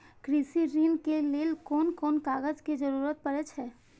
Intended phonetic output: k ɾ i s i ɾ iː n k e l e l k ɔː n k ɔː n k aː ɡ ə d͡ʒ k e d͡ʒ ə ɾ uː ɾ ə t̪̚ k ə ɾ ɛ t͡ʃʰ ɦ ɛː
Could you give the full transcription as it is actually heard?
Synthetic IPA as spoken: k ɾ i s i ɾ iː n k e l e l k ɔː n k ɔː n k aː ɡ ə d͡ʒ k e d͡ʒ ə ɾ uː ɾ ə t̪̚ p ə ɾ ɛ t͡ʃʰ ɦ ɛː